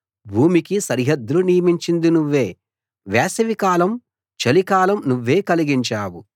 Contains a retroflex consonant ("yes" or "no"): no